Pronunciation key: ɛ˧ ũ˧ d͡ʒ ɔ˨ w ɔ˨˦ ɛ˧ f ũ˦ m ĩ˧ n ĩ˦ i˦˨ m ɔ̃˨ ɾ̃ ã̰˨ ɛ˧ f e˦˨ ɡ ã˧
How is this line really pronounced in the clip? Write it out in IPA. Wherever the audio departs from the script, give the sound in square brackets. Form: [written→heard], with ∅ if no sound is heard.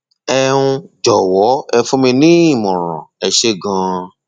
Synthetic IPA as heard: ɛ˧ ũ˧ d͡ʒ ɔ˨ w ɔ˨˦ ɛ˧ f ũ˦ m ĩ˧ n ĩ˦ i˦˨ m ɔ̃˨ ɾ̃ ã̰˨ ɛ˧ [f→ʃ] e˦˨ ɡ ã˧